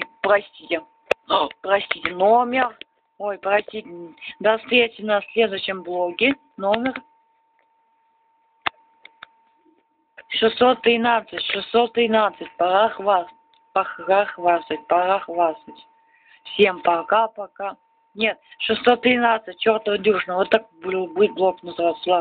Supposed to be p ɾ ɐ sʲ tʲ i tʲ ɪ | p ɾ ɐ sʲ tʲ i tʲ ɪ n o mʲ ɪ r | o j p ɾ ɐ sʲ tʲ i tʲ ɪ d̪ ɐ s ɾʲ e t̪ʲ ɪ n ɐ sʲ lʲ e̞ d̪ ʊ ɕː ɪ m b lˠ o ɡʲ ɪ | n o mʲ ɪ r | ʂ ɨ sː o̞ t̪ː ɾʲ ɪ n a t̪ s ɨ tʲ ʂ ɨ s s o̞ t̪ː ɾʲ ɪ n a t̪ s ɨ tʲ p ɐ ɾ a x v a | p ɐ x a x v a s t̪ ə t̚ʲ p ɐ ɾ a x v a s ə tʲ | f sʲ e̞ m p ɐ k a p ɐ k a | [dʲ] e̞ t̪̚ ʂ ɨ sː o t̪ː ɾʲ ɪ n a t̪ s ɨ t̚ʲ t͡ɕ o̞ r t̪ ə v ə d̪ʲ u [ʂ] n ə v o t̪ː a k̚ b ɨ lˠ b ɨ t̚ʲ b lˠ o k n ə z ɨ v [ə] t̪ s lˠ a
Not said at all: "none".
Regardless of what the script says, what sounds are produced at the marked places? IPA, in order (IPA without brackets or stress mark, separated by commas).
nʲ, ʂ, a